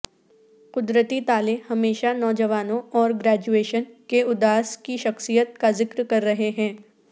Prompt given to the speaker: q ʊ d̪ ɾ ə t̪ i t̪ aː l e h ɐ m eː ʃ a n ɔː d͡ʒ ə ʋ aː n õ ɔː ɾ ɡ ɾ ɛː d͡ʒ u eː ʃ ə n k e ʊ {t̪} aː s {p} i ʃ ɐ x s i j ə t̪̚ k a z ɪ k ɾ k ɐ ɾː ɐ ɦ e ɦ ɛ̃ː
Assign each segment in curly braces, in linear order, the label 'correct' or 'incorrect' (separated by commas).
incorrect, incorrect